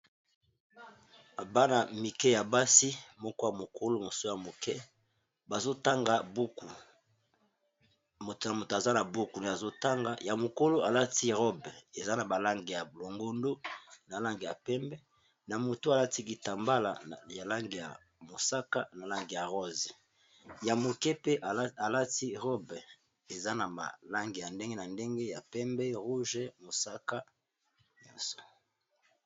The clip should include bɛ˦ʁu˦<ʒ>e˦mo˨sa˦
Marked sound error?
no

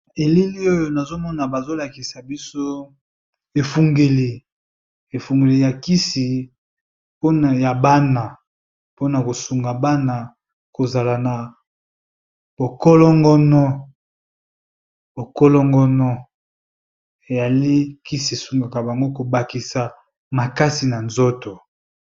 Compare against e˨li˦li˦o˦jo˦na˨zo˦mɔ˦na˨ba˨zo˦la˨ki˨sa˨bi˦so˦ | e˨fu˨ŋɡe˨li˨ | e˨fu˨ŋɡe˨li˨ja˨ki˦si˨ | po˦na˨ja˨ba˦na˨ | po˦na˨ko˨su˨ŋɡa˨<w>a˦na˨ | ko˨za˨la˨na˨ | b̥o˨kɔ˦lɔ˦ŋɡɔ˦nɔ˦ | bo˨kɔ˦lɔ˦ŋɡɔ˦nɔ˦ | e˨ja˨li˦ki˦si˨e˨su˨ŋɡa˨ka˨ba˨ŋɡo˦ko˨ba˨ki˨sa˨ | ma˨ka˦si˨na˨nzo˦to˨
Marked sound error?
yes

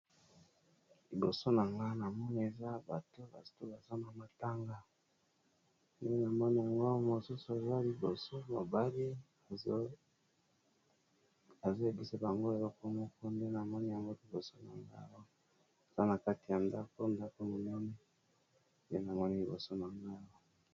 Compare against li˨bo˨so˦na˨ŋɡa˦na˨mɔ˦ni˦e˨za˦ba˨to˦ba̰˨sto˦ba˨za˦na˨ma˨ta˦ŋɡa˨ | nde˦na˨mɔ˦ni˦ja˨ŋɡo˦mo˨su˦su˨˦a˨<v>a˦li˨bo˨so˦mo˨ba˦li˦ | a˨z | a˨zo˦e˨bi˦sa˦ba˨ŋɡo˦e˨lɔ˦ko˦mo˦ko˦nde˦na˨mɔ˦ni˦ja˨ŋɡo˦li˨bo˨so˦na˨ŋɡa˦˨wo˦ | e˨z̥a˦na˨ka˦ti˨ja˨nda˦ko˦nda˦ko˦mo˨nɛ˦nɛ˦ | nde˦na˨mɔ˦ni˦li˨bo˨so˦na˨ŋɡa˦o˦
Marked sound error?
yes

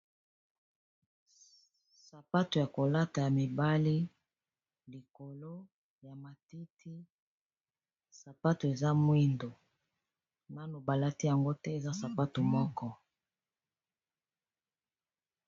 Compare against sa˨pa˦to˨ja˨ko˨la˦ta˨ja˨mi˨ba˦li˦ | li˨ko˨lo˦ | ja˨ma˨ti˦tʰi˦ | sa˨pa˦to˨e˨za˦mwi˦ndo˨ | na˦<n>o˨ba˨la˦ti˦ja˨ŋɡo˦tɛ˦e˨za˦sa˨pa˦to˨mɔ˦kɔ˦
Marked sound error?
no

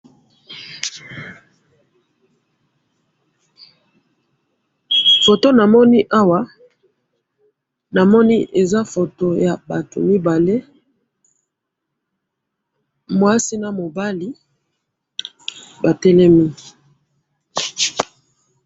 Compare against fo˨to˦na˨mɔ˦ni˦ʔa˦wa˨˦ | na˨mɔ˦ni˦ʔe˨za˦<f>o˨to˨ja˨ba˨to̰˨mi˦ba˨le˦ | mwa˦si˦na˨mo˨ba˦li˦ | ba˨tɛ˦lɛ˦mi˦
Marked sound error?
no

